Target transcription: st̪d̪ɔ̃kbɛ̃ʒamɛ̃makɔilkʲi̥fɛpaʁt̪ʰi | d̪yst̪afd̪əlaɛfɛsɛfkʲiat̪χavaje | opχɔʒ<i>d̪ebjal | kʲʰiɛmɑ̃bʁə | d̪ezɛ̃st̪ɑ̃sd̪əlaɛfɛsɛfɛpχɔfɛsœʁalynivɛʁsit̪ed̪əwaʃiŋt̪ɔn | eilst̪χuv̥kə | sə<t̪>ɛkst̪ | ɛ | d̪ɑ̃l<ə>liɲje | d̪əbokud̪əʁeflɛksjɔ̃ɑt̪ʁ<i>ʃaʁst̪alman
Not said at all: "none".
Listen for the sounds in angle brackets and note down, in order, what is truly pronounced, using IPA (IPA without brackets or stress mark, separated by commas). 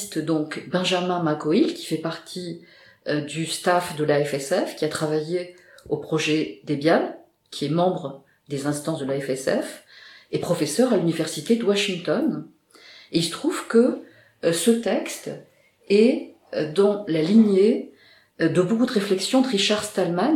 ɛ, t̪, a, i